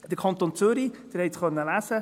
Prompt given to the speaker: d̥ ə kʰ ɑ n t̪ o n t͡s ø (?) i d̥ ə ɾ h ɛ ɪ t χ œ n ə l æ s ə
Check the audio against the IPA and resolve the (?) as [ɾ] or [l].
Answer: ɾ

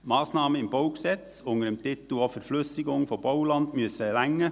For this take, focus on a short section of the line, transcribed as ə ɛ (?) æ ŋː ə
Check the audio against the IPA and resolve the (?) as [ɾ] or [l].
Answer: l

